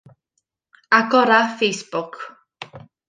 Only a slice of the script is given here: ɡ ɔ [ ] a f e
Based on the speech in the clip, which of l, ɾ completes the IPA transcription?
ɾ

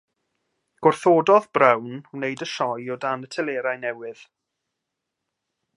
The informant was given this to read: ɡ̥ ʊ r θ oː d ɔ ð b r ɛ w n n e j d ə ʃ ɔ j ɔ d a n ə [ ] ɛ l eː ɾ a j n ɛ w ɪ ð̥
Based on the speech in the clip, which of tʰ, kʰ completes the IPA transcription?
tʰ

